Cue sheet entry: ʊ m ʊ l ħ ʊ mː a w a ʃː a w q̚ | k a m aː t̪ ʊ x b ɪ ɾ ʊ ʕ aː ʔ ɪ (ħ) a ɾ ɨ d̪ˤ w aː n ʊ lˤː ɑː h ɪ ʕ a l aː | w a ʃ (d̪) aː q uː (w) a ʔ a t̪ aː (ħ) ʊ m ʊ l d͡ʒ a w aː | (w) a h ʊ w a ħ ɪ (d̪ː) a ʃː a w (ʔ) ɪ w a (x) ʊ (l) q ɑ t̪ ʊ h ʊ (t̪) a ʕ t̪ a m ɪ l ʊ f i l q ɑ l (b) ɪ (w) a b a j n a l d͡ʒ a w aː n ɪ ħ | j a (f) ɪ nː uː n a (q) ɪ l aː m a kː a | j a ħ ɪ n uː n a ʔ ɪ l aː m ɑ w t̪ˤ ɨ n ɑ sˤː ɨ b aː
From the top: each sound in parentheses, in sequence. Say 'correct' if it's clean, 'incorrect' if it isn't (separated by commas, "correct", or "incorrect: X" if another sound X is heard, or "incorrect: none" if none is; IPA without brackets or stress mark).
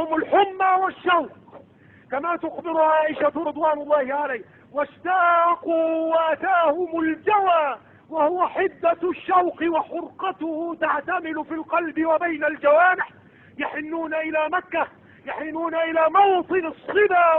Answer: incorrect: ʃ, incorrect: t̪, correct, incorrect: h, correct, correct, incorrect: q, incorrect: ħ, incorrect: ɾ, correct, correct, correct, incorrect: ħ, incorrect: ʔ